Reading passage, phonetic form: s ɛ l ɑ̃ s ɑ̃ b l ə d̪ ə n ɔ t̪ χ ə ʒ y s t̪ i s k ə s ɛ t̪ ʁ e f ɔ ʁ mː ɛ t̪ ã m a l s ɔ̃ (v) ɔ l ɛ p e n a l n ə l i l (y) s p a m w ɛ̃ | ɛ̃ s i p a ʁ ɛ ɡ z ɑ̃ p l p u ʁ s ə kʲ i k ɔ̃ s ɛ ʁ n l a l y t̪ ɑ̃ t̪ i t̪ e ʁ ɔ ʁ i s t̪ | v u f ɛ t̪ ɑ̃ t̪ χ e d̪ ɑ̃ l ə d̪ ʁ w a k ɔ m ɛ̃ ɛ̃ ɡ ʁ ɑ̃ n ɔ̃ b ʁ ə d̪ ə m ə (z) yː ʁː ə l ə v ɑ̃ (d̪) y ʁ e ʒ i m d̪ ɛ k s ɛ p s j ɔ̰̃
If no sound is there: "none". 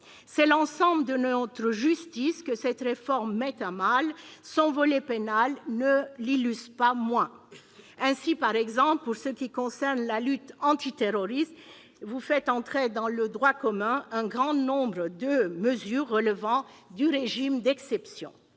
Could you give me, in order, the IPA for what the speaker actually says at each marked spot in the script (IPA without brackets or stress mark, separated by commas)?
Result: v, y, z, d̪